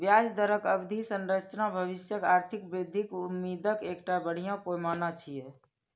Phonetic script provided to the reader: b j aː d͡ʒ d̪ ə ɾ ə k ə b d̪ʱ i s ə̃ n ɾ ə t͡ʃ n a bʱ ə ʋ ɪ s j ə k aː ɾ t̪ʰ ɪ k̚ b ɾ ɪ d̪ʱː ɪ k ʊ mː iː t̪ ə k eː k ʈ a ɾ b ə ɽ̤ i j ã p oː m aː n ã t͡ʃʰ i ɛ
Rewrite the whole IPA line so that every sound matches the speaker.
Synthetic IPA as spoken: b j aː d͡ʒ d̪ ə ɾ ə k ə b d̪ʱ i s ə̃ n ɾ ə t͡ʃ n a bʱ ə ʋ ɪ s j ə k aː ɾ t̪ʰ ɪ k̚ b ɾ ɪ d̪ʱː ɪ k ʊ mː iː d̪ ə k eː k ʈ a b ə ɽ̤ i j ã p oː m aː n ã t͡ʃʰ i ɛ

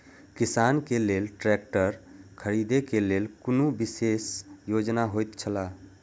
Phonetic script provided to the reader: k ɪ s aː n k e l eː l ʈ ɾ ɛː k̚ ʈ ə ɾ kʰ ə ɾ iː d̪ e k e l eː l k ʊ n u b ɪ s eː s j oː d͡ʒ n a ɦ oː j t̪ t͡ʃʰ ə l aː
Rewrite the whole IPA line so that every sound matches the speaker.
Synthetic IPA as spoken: k ɪ s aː n k e l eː l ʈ ɾ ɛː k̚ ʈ ə ɾ kʰ ə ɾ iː d̪ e k e l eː l k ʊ n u b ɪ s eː s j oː d͡ʒ n a ɦ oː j t̪ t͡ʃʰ ə l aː

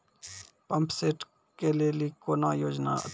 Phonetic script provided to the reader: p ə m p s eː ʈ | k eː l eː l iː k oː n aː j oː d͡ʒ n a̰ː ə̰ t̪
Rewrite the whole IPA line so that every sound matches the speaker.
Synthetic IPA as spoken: p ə m p s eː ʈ | k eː l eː l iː k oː n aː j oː d͡ʒ n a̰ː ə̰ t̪

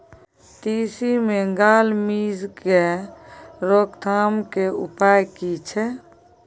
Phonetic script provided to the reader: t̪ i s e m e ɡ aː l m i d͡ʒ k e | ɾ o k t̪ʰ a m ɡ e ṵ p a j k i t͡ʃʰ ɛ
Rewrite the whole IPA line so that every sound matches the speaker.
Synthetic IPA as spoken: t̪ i s i m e ɡ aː l m i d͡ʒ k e | ɾ o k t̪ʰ a m k e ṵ p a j k i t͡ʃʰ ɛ

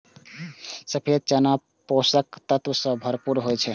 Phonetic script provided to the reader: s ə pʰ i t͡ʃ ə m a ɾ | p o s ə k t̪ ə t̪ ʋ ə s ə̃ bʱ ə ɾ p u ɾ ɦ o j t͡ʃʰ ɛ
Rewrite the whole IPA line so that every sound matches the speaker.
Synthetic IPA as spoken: s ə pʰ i t͡ʃ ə n a | p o s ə k t̪ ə t̪ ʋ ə s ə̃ bʱ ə ɾ p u ɾ ɦ o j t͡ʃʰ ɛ

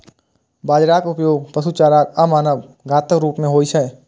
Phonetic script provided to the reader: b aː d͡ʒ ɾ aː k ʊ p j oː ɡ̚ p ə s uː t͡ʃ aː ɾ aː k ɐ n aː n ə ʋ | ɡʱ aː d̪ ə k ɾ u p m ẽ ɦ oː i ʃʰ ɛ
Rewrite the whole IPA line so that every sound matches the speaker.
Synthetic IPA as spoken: b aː d͡ʒ ɾ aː k ʊ p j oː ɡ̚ p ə s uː t͡ʃ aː ɾ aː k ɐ m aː n ə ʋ | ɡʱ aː t̪ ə k ɾ uː p m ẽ ɦ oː i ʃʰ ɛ

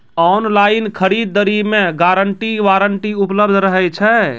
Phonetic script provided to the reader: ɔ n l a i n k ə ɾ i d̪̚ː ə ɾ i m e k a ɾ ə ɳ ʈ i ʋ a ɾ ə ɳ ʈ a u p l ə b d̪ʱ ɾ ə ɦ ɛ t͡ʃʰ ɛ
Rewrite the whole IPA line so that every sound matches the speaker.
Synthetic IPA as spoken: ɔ n l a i n kʰ ə ɾ i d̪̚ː ə ɾ i m e ɡ a ɾ ə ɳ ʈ i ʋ a ɾ ə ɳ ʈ i u p l ə b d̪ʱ ɾ ə ɦ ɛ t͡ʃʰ ɛ

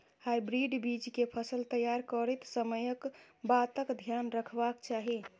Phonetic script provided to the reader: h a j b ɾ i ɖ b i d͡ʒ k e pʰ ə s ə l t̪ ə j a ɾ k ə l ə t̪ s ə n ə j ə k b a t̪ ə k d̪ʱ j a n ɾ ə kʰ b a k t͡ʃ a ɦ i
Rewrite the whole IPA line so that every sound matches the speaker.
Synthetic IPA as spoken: h a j b ɾ i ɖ b i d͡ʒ k e pʰ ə s ə l t̪ ə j a ɾ k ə ɾ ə t̪ s ə m ə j ə k b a t̪ ə k d̪ʱ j a n ɾ ə kʰ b a k t͡ʃ a ɦ i

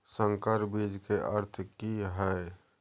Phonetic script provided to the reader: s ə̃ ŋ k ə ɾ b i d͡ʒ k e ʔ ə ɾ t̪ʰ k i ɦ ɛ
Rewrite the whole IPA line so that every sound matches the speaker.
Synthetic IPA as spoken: s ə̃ ŋ k ə ɾ b i d͡ʒ k e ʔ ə ɾ t̪ʰ k i ɦ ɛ

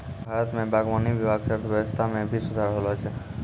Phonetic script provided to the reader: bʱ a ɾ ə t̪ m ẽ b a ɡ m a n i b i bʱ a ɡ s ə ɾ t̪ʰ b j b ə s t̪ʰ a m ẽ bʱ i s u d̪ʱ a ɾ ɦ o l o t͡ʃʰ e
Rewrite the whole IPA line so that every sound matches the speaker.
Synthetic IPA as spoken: bʱ a ɾ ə t̪ m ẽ b a ɡ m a n i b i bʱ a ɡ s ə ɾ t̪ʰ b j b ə s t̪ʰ a m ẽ bʱ i s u d̪ʱ a ɾ ɦ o l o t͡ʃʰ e

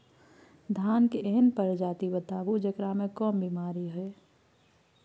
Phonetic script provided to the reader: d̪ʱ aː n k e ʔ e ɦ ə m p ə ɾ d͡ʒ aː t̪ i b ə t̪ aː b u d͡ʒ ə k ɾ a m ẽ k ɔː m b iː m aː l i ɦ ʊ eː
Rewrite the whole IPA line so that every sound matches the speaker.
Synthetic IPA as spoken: d̪ʱ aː n k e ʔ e ɦ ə n p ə ɾ d͡ʒ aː t̪ i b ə t̪ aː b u d͡ʒ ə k ɾ a m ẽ k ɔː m b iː m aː ɾ i ɦ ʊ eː

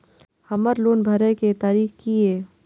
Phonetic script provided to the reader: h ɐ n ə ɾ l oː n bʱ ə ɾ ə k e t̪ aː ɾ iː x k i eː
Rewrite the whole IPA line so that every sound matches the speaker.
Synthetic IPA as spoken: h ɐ m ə ɾ l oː n bʱ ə ɾ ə k e t̪ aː ɾ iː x k i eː

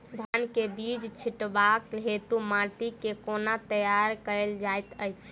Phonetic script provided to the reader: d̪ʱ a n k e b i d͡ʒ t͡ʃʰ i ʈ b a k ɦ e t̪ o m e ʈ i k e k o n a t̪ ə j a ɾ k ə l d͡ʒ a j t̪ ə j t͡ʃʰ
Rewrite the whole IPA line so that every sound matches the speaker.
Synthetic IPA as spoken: d̪ʱ a n k e b i d͡ʒ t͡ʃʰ i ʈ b a k ɦ e t̪ u m a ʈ i k e k o n a t̪ ə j a ɾ k ə l d͡ʒ a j t̪ ə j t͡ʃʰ

